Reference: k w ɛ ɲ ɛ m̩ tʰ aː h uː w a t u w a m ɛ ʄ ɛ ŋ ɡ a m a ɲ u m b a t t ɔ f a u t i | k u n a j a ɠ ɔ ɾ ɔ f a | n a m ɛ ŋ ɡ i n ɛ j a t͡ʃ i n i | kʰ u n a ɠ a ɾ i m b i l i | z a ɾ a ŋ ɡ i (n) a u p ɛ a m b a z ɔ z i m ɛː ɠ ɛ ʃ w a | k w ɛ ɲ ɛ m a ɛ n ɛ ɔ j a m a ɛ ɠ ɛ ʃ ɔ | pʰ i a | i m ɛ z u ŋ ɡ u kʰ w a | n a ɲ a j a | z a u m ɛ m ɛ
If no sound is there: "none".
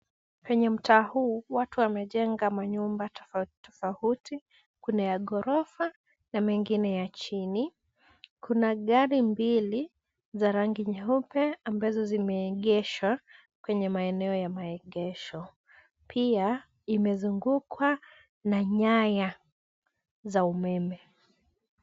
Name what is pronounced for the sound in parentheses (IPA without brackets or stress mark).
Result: ɲ